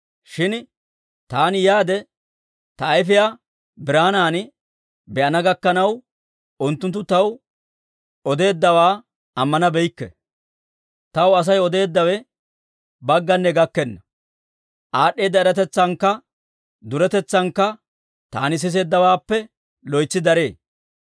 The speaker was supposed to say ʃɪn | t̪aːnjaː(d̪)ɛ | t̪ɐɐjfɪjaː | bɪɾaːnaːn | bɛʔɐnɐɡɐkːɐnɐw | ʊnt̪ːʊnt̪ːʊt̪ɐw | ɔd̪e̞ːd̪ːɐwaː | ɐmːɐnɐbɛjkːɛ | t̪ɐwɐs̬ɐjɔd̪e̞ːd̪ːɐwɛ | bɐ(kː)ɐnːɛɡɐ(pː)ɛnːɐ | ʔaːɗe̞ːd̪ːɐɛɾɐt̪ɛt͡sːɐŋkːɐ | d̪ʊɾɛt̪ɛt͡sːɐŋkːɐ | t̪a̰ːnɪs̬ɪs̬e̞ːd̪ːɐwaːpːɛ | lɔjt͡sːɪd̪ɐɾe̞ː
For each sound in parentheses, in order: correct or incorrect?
correct, incorrect: ɡː, incorrect: kː

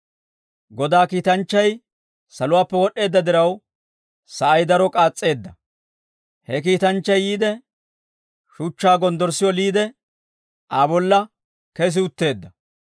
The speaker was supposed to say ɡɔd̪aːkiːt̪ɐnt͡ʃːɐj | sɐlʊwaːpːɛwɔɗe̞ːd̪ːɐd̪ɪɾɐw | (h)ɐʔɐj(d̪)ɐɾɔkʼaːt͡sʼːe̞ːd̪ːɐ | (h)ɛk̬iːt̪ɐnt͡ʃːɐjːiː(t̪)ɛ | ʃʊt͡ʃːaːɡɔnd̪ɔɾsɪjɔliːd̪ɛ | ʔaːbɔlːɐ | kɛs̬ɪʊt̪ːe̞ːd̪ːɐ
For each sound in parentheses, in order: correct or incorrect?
incorrect: s, correct, correct, incorrect: d̪

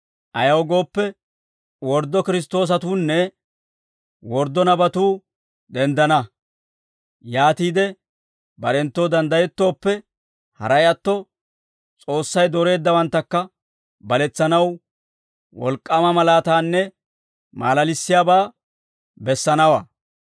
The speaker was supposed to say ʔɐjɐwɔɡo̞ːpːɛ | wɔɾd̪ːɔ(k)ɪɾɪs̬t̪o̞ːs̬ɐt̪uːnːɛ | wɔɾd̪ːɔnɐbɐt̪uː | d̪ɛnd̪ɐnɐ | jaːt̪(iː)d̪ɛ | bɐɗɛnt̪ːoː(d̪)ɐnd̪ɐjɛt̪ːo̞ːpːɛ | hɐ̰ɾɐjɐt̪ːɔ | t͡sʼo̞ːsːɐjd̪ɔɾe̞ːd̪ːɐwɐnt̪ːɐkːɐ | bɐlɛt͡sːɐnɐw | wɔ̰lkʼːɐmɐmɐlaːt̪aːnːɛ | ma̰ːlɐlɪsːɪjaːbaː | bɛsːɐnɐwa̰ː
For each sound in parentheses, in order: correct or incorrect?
correct, correct, correct

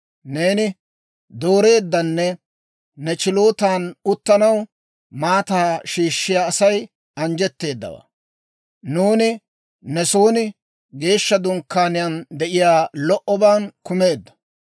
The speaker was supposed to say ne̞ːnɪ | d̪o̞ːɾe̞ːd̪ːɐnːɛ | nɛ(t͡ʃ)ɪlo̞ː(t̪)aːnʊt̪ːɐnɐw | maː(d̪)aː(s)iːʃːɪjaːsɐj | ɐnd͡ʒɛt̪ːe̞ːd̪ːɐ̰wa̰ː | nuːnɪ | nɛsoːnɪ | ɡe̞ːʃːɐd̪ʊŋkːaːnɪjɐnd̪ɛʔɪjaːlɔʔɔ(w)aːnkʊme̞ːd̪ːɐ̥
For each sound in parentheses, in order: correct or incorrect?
correct, correct, incorrect: t̪, incorrect: ʃ, incorrect: b

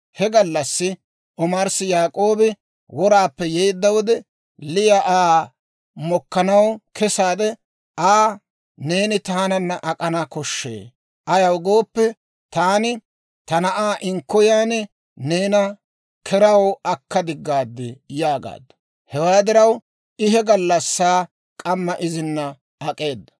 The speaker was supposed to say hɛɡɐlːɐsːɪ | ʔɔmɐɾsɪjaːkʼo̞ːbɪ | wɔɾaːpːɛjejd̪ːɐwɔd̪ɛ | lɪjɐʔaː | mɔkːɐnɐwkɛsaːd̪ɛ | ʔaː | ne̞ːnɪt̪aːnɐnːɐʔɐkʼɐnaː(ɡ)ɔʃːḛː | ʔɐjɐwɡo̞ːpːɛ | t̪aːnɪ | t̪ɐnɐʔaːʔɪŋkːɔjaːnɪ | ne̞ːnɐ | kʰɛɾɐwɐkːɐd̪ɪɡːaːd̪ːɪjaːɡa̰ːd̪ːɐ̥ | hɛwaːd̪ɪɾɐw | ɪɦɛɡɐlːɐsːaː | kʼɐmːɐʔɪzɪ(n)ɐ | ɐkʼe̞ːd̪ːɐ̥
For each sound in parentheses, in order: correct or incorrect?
incorrect: k, incorrect: nː

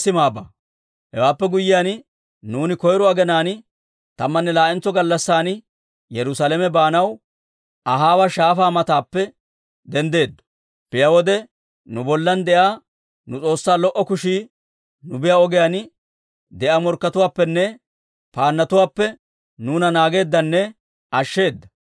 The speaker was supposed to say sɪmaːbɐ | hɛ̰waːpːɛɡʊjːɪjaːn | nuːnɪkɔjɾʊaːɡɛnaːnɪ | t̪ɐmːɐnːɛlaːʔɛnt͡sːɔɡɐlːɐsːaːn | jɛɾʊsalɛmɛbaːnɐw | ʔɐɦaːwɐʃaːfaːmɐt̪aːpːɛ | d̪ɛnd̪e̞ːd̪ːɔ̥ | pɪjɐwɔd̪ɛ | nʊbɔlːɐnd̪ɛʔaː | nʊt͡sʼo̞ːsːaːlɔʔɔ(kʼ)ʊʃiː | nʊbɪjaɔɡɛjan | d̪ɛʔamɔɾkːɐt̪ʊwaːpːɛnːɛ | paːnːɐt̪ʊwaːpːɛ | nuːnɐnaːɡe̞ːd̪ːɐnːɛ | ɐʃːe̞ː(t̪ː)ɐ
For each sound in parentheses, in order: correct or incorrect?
incorrect: k, incorrect: d̪ː

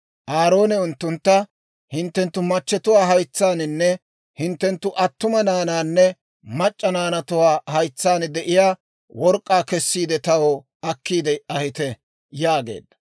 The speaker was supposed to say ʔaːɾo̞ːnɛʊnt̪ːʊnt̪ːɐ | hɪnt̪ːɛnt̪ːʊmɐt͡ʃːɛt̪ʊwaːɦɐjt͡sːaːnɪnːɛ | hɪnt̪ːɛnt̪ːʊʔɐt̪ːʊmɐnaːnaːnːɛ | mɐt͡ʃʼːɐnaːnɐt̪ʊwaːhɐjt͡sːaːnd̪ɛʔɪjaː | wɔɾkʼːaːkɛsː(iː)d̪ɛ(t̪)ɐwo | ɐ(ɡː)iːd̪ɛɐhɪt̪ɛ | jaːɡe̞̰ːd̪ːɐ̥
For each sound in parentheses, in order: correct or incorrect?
correct, correct, incorrect: kː

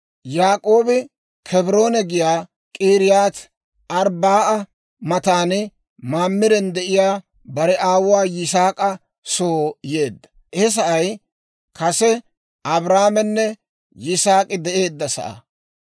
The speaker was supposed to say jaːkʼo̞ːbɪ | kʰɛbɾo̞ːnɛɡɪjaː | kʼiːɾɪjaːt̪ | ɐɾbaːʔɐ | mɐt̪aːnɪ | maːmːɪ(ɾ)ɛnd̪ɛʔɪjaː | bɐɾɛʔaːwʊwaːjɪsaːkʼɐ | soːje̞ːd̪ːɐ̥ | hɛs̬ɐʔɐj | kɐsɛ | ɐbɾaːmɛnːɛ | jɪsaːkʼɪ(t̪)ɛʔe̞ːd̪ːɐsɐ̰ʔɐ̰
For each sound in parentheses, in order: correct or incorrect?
correct, incorrect: d̪

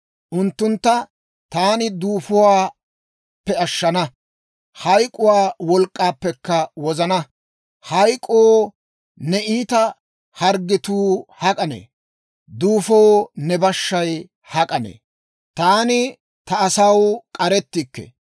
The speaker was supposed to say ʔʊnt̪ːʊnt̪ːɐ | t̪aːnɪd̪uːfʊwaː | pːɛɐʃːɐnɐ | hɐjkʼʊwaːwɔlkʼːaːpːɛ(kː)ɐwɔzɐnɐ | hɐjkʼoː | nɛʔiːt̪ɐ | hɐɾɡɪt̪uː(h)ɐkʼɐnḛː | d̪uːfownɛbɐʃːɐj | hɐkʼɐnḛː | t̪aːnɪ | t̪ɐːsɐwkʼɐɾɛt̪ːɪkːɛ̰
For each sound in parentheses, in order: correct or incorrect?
correct, correct

